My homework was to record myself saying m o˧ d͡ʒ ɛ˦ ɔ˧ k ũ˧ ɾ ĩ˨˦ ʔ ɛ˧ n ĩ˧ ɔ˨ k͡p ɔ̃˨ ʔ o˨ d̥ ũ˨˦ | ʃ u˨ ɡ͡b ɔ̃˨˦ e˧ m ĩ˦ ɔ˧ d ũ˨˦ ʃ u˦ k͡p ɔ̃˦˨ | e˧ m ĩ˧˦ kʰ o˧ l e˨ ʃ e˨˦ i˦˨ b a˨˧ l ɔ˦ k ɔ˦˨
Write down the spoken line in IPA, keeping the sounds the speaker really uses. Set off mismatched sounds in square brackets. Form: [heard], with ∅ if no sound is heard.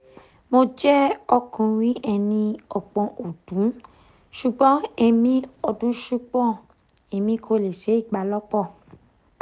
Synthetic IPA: m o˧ d͡ʒ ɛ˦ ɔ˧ k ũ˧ ɾ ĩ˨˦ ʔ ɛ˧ n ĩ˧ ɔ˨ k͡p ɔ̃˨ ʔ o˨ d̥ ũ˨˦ | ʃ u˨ ɡ͡b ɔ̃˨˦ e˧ m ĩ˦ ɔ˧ d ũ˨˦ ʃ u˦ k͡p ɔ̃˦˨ | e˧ m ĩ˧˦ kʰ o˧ l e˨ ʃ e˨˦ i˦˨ [ɡ͡b] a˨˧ l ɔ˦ [k͡p] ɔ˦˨